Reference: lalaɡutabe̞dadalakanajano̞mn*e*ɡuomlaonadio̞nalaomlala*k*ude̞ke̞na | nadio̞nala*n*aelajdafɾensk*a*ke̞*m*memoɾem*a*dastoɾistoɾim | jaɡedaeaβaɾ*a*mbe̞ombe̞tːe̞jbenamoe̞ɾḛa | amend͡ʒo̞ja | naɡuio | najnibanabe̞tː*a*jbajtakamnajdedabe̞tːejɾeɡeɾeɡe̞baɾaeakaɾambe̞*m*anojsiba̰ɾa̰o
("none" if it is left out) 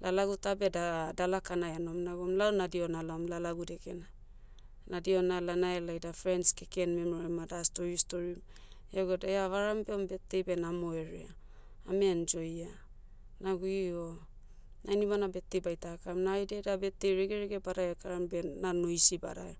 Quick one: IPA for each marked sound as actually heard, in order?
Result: a, ɡ, n, e, n, a, a, e, n

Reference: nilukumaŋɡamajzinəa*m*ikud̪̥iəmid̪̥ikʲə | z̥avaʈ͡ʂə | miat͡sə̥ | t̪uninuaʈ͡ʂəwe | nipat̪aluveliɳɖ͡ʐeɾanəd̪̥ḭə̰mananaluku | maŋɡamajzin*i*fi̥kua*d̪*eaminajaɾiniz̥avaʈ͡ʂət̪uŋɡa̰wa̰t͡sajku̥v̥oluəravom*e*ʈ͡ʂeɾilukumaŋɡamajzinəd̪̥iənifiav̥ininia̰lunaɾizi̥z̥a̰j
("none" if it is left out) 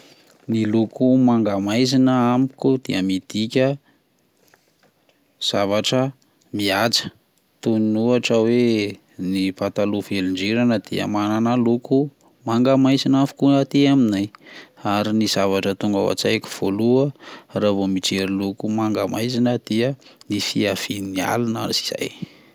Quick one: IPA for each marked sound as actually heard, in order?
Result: m, a, t̪, i

